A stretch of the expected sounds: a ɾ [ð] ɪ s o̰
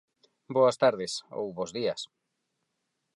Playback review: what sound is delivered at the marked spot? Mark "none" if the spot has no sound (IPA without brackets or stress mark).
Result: ð